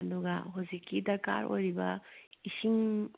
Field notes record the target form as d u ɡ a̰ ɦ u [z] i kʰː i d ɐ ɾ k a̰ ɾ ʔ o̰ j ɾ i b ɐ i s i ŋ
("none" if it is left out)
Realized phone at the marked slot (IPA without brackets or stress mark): z